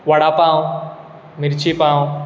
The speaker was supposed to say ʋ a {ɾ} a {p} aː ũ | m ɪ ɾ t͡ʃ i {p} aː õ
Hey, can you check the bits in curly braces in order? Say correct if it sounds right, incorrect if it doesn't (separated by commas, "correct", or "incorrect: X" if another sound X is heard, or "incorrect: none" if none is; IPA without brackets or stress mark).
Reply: incorrect: ɽ, correct, correct